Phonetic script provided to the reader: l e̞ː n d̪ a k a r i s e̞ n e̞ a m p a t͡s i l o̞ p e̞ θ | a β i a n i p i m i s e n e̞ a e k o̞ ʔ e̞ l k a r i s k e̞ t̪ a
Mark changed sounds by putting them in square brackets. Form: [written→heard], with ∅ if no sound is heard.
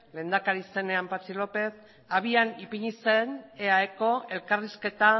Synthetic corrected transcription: l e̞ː n d̪ a k a [r→ɾ] i s e̞ n e̞ a m p a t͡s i l o̞ p e̞ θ | a β i a n i p i [m→ɲ] i s e n e̞ a e k o̞ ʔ e̞ l k a r i s k e̞ t̪ a